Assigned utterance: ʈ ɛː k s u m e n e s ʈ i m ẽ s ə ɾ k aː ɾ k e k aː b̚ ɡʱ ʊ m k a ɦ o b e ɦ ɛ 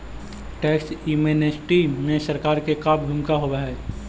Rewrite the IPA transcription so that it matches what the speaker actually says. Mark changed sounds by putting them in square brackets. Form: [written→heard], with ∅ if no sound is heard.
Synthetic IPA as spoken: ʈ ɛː k s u m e n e s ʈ i m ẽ s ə ɾ k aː ɾ k e k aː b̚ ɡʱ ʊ m k a ɦ o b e ɦ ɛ